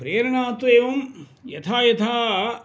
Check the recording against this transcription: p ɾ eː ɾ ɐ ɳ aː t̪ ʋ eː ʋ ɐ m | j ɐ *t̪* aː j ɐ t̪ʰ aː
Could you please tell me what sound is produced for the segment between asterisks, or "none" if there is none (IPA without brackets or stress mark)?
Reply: t̪ʰ